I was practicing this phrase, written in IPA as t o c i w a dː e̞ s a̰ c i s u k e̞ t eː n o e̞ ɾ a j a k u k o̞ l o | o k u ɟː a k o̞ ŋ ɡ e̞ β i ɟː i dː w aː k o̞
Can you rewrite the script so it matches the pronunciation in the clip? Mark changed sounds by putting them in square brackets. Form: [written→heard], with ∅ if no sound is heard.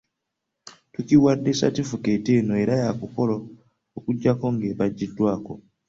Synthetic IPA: t [o→u] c i w a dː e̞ s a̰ [c→t] i [s→f] u k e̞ t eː n o e̞ ɾ a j a k u k o̞ l o | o k u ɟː a k o̞ ŋ ɡ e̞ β [i→a] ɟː i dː w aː k o̞